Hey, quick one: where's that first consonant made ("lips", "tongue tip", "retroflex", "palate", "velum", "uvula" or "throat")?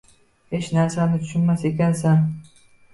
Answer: throat